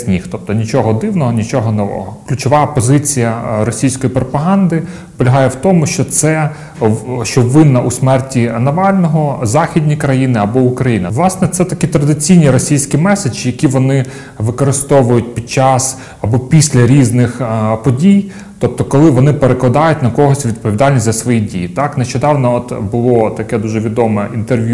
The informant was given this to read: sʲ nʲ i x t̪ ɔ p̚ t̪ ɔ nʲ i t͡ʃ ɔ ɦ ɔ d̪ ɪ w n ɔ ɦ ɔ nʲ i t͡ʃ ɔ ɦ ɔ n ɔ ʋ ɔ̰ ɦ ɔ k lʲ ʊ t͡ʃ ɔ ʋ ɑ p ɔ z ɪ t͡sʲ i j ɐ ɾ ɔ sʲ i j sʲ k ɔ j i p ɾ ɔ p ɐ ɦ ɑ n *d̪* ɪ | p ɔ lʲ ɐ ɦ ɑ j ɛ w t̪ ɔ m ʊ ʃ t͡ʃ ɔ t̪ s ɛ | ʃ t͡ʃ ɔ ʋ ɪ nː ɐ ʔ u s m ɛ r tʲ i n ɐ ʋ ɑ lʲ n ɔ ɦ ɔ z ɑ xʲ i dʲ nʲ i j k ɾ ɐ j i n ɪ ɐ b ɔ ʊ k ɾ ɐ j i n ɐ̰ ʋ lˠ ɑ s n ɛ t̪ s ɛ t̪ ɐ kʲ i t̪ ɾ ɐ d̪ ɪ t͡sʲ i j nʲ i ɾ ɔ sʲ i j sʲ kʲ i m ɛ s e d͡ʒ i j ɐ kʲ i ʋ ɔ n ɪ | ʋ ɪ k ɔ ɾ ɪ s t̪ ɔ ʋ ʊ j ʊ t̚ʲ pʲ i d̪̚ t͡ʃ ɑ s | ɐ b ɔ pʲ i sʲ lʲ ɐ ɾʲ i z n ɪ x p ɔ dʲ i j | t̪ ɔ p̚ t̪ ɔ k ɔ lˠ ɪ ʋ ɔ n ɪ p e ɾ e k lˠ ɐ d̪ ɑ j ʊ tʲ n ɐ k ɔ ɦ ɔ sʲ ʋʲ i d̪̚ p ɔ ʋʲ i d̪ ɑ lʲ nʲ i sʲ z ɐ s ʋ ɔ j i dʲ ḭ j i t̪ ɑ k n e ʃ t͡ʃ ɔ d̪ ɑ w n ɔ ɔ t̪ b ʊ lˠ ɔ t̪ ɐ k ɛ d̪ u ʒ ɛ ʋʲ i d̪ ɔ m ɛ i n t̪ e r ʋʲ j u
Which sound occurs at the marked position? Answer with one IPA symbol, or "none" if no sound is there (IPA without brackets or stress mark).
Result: d̪